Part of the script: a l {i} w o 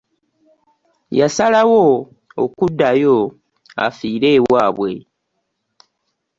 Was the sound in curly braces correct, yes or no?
no